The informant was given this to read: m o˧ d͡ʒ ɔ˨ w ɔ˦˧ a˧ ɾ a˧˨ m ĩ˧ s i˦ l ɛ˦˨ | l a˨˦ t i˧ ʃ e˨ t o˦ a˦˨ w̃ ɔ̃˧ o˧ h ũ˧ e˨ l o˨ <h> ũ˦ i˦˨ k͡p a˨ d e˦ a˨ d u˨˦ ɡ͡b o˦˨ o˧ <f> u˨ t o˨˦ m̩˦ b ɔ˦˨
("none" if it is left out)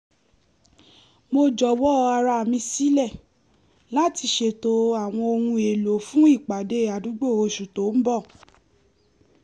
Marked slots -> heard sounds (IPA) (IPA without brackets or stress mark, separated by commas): f, ʃ